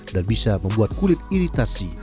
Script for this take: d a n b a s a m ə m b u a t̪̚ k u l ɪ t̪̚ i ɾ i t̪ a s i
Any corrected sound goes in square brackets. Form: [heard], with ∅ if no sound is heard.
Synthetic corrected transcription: d a n b [i] s a m ə m b u a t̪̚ k u l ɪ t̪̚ i ɾ i t̪ a s i